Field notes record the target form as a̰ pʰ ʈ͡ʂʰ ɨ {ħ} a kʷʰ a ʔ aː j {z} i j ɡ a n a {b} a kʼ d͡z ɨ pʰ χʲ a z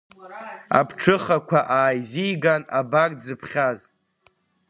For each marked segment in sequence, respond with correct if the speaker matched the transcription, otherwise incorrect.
incorrect, correct, correct

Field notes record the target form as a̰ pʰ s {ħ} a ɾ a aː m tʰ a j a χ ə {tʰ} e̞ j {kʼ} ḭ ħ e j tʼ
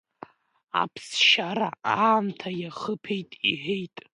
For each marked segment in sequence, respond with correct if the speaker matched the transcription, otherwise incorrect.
incorrect, incorrect, incorrect

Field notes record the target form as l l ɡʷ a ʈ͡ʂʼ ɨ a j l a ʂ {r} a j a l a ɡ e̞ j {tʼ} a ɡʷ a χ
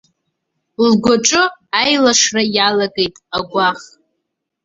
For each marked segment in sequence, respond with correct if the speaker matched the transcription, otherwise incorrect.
correct, correct

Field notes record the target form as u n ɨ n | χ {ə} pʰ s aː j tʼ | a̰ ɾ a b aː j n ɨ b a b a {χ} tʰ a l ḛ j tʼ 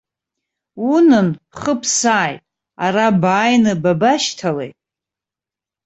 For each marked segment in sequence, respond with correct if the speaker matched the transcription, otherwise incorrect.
correct, incorrect

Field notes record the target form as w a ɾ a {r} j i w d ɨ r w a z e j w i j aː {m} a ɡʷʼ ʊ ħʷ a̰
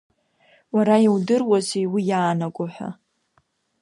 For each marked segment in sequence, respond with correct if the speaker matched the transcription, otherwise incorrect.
incorrect, incorrect

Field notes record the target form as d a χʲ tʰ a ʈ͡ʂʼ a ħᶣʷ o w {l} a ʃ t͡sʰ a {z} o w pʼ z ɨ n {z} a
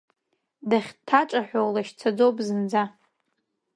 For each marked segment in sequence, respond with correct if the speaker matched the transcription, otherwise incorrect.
correct, incorrect, incorrect

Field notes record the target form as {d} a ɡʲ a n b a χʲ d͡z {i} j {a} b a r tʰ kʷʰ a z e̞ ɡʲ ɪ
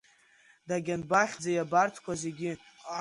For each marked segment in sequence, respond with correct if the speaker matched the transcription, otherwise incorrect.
correct, incorrect, correct

